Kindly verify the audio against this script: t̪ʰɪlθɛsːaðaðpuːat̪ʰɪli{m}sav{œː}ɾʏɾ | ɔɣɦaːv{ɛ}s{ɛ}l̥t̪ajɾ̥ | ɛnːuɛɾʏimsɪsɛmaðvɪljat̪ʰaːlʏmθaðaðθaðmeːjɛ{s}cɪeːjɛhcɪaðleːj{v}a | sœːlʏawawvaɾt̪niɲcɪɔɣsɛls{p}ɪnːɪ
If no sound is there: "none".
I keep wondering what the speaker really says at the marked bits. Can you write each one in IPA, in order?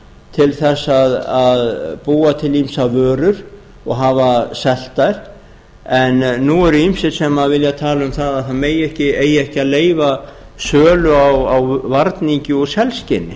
m, œː, a, ɛ, h, v, c

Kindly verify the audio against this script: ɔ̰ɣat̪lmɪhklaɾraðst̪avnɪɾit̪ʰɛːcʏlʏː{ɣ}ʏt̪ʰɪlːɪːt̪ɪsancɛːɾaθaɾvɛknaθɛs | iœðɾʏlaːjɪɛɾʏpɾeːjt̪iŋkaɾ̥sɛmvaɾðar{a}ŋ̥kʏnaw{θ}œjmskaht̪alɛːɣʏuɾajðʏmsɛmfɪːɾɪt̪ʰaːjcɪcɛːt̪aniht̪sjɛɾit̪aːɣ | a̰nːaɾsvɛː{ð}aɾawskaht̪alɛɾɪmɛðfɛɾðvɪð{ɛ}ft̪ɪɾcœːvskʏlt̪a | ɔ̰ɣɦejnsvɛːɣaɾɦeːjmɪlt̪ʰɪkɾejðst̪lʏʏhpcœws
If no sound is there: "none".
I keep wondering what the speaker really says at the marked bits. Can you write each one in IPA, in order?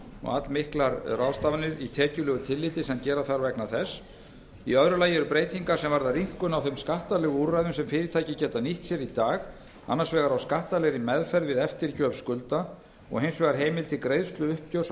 ɣ, i, θ, ɣ, ɛ

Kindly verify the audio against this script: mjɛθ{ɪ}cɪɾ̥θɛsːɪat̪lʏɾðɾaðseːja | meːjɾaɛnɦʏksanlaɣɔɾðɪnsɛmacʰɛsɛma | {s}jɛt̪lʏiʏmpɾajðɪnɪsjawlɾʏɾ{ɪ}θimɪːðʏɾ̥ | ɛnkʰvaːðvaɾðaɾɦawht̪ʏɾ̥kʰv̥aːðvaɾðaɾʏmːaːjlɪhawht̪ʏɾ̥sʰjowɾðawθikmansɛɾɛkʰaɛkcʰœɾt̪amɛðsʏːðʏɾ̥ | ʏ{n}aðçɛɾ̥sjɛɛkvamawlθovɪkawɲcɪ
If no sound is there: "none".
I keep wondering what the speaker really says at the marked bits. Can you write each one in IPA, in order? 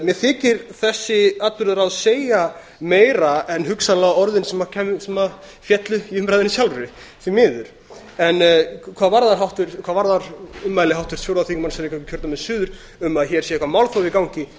ɪː, f, ɪ, m

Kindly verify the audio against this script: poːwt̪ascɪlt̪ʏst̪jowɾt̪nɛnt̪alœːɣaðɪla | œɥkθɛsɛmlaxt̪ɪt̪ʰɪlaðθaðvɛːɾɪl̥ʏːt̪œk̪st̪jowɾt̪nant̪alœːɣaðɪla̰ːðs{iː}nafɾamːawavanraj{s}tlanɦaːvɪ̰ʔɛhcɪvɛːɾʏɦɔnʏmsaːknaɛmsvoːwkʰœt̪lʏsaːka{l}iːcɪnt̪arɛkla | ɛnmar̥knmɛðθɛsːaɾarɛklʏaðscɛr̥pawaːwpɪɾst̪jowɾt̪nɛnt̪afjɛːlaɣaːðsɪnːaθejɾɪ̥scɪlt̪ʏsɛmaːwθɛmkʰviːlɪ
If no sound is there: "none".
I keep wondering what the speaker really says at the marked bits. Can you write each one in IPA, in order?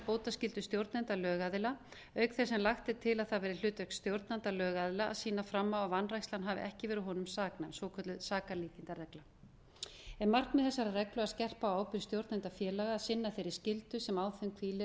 iː, s, l

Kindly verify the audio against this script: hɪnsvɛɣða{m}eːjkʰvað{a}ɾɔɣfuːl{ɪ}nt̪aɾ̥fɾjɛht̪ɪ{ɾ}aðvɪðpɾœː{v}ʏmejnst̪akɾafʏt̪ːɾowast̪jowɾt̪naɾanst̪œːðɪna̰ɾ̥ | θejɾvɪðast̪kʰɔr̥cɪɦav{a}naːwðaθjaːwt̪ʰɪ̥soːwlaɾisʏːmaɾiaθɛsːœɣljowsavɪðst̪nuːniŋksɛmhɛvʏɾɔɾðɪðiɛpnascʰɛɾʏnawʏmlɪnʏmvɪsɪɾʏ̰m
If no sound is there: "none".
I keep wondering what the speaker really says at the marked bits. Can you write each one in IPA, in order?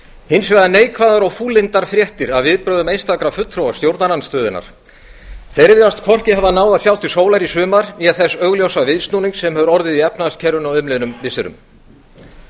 n, a, ɪ, ɾ, ð, a

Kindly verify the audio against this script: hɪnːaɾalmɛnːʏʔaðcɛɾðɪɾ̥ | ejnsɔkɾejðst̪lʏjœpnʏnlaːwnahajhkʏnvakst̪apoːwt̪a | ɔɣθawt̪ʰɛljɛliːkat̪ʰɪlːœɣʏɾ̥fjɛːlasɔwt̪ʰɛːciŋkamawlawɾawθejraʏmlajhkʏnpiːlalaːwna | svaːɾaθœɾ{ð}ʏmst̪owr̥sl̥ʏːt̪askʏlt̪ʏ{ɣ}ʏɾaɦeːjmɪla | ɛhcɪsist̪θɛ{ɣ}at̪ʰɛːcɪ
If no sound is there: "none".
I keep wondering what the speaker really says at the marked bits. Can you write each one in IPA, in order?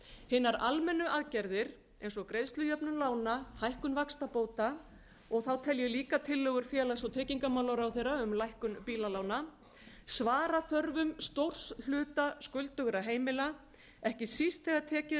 v, ɣ, ɣ

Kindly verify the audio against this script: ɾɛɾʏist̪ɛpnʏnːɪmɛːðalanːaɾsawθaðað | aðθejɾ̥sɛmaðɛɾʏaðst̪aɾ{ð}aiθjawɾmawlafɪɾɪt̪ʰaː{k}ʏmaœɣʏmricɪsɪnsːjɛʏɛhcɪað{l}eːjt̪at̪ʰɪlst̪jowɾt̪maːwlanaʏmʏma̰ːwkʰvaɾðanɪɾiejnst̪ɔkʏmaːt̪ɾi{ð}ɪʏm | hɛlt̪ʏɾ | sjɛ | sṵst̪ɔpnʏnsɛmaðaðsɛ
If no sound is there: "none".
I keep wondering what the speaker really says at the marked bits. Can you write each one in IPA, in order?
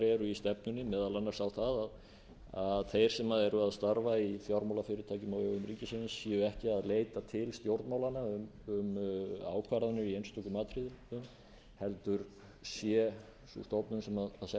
v, c, l, ð

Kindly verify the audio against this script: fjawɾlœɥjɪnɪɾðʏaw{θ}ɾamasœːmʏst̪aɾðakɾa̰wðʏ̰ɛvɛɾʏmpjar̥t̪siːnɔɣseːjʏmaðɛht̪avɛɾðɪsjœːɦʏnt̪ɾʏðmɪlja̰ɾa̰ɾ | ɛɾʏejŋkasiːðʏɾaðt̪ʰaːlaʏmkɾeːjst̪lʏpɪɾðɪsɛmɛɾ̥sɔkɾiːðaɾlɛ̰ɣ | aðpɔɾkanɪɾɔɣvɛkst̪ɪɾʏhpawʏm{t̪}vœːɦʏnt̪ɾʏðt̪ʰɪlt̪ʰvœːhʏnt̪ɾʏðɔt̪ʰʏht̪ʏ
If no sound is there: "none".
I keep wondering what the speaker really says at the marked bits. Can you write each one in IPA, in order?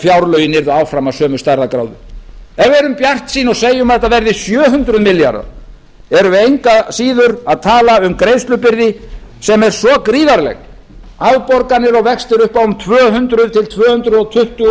f, t̪ʰ

